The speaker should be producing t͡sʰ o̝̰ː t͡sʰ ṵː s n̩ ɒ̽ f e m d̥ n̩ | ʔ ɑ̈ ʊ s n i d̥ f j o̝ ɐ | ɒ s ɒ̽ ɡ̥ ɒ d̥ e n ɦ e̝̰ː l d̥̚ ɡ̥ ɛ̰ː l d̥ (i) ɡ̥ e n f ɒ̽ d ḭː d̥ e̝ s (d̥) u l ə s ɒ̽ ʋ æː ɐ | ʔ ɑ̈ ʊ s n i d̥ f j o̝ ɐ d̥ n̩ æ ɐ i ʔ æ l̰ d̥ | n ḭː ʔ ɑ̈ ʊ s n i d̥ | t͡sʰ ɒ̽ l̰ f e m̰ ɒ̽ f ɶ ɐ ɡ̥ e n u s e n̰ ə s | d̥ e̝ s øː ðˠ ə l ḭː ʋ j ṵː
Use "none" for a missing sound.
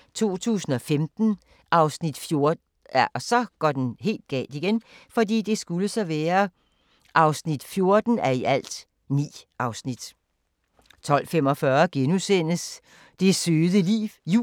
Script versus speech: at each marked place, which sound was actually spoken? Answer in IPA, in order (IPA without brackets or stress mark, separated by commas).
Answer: i, ɡ̥